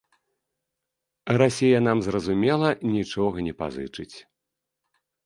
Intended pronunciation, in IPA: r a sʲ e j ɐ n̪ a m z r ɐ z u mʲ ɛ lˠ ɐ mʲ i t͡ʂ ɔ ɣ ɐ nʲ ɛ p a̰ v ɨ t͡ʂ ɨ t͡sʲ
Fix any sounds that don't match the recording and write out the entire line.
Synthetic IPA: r a sʲ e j ɐ n̪ a m z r ɐ z u mʲ ɛ lˠ ɐ nʲ i t͡ʂ ɔ ɣ ɐ nʲ ɛ p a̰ z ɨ t͡ʂ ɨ t͡sʲ

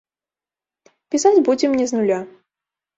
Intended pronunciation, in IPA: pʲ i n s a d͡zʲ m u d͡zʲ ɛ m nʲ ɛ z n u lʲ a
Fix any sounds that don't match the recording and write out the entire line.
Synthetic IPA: pʲ i s a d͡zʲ b u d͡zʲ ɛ m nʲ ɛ z n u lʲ a

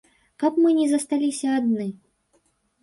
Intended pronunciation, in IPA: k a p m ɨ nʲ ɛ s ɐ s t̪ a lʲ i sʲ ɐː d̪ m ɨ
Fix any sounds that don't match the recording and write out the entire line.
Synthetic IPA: k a p m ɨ nʲ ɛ z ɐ s t̪ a lʲ i sʲ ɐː d̪ n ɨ

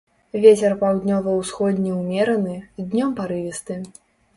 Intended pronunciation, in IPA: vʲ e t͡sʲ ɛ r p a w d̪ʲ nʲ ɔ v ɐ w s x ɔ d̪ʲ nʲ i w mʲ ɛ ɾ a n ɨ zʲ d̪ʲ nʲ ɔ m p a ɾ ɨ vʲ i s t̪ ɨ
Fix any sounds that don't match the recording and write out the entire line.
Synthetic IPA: vʲ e t͡sʲ ɛ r p a w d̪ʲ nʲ ɔ v ɐ w s x ɔ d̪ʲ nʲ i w mʲ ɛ ɾ ɐ n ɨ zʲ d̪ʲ nʲ ɔ m p a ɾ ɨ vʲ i s t̪ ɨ

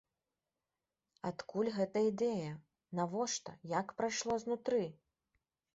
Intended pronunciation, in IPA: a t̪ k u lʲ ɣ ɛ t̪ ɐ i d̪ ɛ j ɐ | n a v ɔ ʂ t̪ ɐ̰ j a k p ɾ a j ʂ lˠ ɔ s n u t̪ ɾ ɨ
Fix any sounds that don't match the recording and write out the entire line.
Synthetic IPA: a t̪ k u lʲ ɣ ɛ t̪ ɐ i d̪ ɛ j ɐ | n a v ɔ ʂ t̪ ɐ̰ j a k p ɾ a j ʂ lˠ ɔ z n u t̪ ɾ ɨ

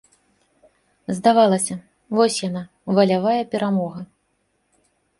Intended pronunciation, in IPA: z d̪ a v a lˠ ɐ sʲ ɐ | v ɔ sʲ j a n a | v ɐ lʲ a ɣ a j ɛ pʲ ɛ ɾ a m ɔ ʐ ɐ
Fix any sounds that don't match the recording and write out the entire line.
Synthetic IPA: z d̪ a v a lˠ ɐ sʲ ɐ | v ɔ sʲ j a n a | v ɐ lʲ a v a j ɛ pʲ ɛ ɾ a m ɔ ɣ ɐ

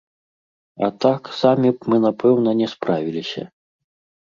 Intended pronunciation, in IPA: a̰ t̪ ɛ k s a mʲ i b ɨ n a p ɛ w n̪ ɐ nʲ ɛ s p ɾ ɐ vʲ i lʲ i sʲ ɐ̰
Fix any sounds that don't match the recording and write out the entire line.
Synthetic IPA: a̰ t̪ a k s a mʲ i m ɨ n a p ɛ w n̪ ɐ nʲ ɛ s p ɾ a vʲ i lʲ i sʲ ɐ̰

